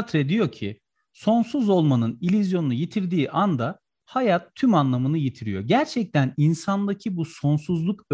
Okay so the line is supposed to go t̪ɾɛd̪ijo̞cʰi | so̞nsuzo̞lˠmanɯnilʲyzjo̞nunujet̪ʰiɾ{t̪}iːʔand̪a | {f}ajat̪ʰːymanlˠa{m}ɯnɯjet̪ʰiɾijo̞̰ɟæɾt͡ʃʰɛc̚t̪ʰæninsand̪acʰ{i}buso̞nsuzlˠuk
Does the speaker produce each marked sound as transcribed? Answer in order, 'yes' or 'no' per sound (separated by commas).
no, no, yes, yes